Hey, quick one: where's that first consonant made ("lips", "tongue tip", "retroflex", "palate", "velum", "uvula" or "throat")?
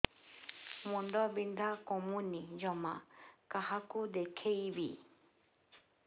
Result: lips